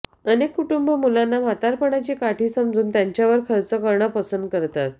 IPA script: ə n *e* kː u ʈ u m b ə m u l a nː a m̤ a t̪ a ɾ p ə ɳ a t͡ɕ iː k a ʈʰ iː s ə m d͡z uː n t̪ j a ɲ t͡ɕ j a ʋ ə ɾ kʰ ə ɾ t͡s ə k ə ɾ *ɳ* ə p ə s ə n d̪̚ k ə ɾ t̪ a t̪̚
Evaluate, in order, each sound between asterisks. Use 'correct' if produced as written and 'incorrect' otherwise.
correct, correct

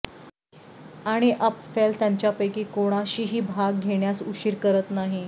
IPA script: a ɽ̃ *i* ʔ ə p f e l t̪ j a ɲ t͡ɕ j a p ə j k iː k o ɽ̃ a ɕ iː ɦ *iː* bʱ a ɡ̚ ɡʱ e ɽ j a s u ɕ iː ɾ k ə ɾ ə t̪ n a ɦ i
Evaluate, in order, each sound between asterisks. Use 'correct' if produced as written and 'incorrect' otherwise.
correct, correct

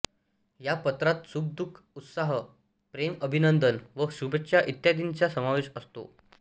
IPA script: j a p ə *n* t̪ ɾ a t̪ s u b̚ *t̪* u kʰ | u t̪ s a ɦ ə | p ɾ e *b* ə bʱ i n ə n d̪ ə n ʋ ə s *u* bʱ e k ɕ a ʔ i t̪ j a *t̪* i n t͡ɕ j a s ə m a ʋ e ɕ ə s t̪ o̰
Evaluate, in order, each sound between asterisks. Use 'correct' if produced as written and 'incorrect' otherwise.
incorrect: none, incorrect: d̪, incorrect: m, correct, incorrect: d̪

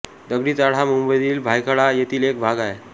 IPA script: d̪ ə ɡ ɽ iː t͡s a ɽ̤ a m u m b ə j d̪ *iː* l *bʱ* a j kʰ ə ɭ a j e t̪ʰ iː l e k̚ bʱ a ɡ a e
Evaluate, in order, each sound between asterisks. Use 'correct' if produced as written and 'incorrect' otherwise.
correct, correct

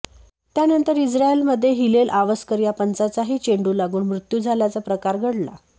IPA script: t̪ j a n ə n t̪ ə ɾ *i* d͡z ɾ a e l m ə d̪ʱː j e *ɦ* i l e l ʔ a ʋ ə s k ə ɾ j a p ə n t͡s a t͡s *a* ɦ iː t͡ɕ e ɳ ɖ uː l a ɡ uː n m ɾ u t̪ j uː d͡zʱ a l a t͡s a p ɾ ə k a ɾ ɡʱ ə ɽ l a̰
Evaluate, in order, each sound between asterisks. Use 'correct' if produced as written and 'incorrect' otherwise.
correct, correct, correct

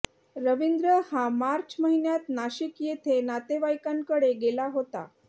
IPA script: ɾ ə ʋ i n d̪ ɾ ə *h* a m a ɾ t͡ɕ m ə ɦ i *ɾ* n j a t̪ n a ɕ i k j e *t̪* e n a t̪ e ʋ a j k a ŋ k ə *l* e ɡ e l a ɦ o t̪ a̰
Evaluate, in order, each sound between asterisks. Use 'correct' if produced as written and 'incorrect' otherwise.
correct, incorrect: none, incorrect: t̪ʰ, incorrect: ɽ

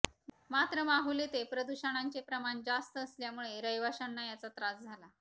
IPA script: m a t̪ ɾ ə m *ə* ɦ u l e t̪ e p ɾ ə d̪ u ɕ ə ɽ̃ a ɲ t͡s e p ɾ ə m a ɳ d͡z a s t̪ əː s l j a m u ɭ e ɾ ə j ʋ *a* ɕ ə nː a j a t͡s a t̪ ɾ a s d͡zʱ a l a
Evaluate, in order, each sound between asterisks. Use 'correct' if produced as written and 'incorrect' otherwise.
incorrect: a, correct

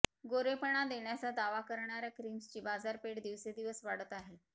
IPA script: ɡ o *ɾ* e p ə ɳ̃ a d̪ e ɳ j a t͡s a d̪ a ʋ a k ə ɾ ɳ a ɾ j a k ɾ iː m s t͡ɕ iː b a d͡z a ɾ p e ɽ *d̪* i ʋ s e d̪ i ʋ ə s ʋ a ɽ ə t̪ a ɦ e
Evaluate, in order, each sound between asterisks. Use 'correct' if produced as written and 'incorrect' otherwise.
correct, correct

